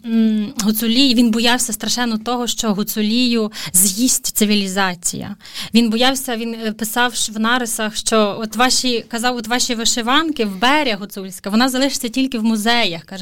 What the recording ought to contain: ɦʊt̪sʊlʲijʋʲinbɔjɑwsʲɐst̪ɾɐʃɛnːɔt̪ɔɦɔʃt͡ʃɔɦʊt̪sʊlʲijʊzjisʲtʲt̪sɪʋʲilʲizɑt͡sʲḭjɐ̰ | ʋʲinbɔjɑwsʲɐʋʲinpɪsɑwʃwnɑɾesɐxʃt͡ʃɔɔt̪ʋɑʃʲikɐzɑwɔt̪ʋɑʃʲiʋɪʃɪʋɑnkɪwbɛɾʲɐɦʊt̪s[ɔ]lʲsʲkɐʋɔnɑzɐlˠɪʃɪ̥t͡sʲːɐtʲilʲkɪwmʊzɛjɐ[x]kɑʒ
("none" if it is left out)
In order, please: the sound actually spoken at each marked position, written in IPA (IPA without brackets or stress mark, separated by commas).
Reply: u, x